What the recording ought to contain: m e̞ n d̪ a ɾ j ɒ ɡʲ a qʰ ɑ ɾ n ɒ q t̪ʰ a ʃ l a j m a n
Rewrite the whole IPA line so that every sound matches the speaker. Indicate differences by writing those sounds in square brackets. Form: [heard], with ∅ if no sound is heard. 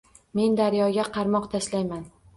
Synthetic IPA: m e̞ n d̪ a ɾ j ɒ ɡʲ a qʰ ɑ ɾ [m] ɒ q t̪ʰ a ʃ l a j m a n